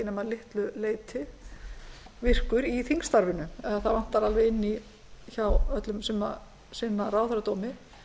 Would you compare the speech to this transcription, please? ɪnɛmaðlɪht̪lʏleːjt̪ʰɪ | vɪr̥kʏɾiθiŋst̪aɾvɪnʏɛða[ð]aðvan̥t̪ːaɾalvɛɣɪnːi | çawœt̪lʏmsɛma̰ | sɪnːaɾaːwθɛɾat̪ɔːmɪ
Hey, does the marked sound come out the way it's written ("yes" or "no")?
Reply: no